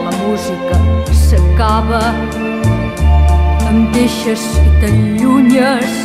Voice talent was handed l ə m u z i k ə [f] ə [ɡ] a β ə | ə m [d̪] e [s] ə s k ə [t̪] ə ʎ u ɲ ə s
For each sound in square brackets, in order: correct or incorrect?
incorrect: s, incorrect: k, correct, incorrect: ʃ, correct

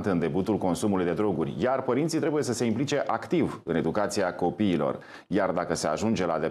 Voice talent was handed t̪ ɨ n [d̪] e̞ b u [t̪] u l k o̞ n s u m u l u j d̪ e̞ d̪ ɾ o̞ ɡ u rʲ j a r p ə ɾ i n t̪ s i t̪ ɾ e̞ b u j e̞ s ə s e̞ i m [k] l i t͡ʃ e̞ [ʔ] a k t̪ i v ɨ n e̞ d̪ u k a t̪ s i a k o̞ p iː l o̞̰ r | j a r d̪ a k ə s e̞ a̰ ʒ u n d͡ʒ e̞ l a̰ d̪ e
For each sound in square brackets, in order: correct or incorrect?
correct, correct, incorrect: p, correct

